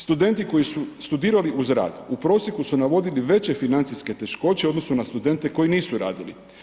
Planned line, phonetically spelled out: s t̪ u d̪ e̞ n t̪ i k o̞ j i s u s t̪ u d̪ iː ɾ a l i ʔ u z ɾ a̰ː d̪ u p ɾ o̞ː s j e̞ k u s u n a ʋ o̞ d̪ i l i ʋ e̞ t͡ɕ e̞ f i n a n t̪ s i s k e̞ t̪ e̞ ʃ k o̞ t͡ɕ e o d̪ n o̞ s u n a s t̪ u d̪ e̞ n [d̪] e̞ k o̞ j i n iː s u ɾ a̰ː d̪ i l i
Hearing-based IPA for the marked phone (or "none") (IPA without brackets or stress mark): t̪